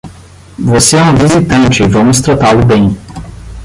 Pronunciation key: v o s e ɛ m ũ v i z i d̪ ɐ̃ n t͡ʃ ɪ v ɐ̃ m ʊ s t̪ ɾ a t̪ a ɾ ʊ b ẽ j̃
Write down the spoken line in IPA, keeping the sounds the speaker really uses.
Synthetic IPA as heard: v o s e ɛ ũ v i z i t̪ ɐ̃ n t͡ʃ ɪ v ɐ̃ m ʊ s t̪ ɾ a t̪ a l ʊ b ẽ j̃